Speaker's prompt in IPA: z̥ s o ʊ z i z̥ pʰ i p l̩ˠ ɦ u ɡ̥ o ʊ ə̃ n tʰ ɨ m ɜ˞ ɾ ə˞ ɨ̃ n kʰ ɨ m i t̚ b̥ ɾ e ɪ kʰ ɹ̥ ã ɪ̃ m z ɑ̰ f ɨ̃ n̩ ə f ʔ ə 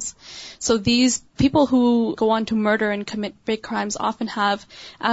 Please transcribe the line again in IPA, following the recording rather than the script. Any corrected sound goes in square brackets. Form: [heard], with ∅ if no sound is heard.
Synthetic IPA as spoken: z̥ s o ʊ [ð] i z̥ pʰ i p l̩ˠ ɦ u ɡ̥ o ʊ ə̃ n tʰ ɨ m ɜ˞ ɾ ə˞ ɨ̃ n kʰ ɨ m [ɪ] t̚ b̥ [ɹ] e ɪ kʰ ɹ̥ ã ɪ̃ m z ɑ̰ f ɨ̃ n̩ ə [v] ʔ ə